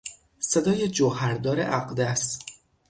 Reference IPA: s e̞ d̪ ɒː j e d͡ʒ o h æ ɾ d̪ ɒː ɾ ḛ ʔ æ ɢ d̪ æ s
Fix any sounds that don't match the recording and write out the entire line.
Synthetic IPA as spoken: s e̞ d̪ ɒː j e d͡ʒ o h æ ɾ d̪ ɒː ɾ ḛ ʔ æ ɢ d̪ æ s